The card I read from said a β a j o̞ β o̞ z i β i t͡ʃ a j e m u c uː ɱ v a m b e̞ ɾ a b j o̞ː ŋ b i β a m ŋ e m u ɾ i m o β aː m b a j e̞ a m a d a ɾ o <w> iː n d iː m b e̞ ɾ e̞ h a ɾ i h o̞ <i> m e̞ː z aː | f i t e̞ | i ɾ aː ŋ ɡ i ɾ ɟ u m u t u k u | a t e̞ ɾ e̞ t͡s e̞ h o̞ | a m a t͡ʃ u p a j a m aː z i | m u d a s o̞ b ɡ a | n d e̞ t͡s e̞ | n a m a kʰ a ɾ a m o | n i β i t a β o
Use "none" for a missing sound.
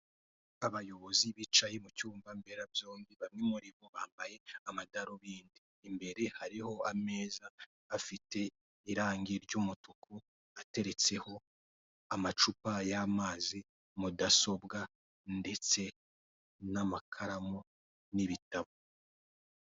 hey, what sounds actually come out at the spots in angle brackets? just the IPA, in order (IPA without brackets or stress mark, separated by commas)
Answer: β, a